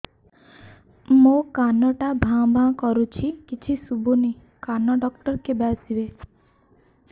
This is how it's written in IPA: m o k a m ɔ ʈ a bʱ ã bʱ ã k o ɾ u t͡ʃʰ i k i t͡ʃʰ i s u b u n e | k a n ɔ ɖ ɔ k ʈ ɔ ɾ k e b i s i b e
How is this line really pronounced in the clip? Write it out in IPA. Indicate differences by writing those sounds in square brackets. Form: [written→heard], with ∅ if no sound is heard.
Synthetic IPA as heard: m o k a [m→n] ɔ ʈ a bʱ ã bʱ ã k [o→ɔ] ɾ u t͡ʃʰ i k i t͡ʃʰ i s u b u n [e→i] | k a n ɔ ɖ ɔ k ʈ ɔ ɾ k e b [i→a] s i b e